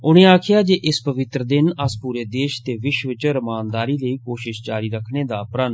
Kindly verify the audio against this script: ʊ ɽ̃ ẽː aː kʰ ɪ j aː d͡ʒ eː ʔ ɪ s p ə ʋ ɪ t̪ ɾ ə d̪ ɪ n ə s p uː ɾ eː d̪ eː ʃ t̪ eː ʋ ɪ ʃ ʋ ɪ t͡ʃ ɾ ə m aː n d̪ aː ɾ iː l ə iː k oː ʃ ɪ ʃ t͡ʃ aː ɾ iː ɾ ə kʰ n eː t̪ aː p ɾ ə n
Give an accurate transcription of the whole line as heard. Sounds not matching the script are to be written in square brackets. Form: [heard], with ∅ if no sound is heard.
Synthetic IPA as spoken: ʊ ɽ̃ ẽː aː kʰ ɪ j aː d͡ʒ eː ʔ ɪ s p ə ʋ ɪ t̪ ɾ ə d̪ ɪ n ə s p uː ɾ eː d̪ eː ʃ t̪ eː ʋ ɪ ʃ ʋ ɪ t͡ʃ ɾ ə m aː n d̪ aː ɾ iː l ə iː k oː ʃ ɪ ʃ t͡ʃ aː ɾ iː ɾ ə kʰ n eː [d̪] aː p ɾ ə n